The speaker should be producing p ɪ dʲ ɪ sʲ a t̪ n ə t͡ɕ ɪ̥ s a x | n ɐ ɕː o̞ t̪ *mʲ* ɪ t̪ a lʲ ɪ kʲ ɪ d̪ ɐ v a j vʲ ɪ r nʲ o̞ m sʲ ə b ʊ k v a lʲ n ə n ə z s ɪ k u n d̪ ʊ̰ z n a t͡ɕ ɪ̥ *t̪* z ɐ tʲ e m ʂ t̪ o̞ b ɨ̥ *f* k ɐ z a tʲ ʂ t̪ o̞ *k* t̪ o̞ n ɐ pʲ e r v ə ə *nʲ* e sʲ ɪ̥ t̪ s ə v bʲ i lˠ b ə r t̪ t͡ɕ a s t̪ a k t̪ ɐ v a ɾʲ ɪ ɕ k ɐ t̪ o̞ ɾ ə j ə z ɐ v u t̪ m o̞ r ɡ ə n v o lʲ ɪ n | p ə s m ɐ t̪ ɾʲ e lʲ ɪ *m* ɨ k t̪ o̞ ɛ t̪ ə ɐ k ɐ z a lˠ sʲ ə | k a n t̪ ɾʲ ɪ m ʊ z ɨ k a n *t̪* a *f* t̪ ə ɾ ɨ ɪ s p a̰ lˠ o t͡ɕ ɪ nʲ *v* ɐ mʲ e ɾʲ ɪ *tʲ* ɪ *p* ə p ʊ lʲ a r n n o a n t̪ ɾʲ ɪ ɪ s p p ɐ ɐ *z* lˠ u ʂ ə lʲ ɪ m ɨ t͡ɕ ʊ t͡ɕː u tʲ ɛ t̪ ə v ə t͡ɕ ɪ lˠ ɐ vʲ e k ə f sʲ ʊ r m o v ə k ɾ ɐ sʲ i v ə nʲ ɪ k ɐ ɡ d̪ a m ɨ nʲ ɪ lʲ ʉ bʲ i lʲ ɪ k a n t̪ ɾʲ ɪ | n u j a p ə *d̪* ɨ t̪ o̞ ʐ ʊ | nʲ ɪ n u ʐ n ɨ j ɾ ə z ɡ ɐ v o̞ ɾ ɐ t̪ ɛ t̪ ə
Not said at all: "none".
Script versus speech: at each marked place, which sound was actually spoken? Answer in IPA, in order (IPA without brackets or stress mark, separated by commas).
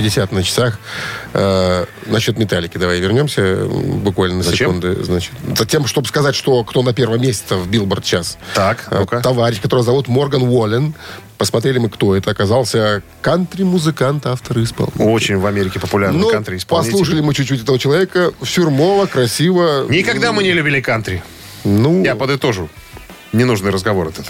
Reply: mʲ, t̪, s, k, mʲ, m, t̪, f, v, kʲ, p, s, d̪